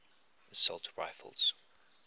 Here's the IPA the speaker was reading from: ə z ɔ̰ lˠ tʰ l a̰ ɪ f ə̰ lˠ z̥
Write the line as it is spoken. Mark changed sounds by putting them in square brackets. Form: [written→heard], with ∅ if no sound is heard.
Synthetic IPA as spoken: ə [z→s] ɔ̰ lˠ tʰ [l→ɹ] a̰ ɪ f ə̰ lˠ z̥

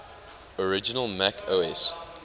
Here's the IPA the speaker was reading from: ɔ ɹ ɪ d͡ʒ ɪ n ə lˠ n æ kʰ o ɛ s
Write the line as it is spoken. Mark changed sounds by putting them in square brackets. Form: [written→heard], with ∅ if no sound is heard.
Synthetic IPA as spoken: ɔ ɹ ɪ d͡ʒ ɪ n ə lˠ [n→m] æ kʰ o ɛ s

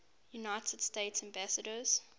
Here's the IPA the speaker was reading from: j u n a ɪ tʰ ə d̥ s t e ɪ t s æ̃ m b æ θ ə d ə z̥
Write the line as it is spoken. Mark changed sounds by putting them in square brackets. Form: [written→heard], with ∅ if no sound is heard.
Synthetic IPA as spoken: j u n a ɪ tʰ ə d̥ s t e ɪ t s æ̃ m b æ [θ→s] ə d ə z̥

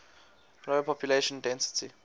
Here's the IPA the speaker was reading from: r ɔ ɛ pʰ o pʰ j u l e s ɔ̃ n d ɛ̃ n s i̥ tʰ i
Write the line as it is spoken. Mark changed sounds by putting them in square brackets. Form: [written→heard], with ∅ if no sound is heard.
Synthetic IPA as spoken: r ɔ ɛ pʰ [o→ɔ] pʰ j u l e [s→ʃ] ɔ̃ n d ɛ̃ n s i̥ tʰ i

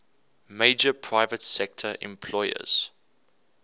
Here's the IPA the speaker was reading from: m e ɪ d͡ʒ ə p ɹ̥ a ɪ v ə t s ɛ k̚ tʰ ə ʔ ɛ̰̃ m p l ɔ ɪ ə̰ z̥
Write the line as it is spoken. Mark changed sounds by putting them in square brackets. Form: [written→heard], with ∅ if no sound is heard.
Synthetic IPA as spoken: m e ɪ d͡ʒ ə [p→pʰ] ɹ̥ a ɪ v ə t s ɛ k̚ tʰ ə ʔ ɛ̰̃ m [p→pʰ] l ɔ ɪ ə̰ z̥

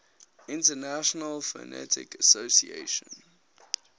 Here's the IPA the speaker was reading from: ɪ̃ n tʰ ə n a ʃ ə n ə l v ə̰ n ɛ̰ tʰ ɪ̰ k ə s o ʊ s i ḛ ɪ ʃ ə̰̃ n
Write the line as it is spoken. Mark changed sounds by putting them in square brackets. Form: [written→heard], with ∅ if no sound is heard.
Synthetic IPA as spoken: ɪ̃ n [tʰ→t] ə n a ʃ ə n ə l [v→f] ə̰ n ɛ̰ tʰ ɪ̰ k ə s o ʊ s i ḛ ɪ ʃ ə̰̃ n

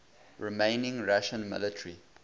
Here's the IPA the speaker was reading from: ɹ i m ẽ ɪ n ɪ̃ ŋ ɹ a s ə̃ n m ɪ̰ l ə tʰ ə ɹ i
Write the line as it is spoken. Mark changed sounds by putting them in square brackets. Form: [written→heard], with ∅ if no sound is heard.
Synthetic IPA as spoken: ɹ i m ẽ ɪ n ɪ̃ ŋ ɹ a [s→ʃ] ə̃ n m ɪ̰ l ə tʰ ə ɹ i

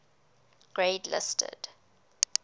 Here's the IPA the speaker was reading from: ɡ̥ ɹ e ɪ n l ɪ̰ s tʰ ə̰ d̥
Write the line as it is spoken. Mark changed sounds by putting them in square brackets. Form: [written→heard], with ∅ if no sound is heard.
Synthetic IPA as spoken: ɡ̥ ɹ e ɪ [n→d] l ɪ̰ s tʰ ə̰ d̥

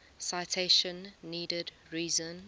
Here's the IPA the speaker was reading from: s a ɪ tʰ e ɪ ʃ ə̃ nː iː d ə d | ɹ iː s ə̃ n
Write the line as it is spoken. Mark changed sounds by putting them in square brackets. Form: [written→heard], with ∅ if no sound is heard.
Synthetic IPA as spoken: s a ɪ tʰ e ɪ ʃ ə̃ nː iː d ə d | ɹ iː [s→z] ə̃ n

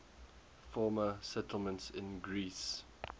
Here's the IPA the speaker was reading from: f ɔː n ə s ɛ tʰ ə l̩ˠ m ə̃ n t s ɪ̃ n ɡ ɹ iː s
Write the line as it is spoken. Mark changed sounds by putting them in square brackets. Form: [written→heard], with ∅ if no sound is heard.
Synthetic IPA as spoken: f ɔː [n→m] ə s ɛ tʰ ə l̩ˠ m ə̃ n t s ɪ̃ n ɡ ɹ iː s

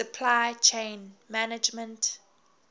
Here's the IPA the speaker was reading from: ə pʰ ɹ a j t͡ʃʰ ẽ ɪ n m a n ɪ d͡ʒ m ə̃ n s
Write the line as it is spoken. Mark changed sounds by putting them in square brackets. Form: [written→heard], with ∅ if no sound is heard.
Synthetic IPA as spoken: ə pʰ [ɹ→l] a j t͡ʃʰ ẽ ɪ n m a n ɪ d͡ʒ m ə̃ n [s→t]

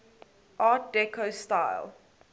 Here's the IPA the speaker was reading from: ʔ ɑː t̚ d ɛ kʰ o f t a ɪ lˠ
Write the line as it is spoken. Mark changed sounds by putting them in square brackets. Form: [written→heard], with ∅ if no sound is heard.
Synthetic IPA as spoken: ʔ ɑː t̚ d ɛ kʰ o [f→s] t a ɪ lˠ

